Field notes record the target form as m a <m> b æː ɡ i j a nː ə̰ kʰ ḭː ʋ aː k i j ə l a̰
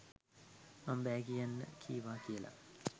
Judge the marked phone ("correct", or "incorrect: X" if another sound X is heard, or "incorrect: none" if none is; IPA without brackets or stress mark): correct